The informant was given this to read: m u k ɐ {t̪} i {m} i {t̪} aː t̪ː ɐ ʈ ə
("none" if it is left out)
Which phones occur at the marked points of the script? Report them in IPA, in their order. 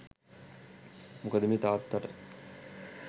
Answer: d̪, m, t̪

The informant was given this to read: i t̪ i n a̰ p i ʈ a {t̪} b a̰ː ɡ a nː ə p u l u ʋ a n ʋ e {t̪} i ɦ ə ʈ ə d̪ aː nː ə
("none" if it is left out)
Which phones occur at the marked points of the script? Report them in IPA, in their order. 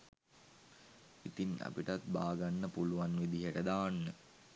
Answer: t̪, d̪

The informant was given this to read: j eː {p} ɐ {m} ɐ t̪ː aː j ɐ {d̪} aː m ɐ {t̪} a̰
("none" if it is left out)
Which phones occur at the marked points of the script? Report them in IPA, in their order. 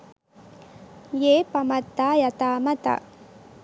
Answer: p, m, t̪, t̪

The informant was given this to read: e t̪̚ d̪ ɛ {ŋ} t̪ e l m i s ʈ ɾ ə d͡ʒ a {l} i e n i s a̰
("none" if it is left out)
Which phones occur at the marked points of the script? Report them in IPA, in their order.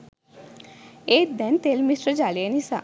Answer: n, l

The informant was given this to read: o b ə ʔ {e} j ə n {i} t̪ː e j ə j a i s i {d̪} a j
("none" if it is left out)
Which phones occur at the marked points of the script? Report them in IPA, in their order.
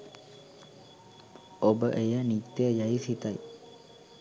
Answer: e, i, t̪

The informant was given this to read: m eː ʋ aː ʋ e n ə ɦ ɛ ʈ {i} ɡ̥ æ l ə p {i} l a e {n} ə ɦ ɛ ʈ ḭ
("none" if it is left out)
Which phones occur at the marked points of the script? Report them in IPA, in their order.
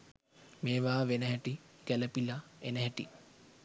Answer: i, i, n

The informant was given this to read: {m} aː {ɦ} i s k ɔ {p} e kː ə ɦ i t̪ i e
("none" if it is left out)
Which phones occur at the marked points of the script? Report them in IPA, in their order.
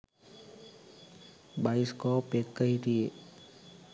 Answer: b, none, p

